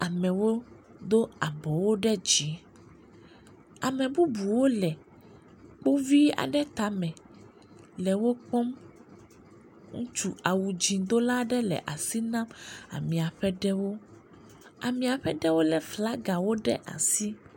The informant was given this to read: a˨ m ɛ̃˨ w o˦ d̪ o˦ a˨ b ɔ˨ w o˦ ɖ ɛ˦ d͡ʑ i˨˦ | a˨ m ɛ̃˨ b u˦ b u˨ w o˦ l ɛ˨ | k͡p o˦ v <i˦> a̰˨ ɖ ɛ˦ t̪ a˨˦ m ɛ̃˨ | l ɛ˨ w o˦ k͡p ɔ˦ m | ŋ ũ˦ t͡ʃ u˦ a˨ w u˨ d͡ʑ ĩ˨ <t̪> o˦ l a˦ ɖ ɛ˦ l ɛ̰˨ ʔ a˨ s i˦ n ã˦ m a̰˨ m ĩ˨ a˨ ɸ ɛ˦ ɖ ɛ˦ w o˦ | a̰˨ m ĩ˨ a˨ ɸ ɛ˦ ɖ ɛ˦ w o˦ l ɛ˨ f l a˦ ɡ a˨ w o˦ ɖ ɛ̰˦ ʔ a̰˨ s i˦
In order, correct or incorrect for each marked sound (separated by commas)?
correct, incorrect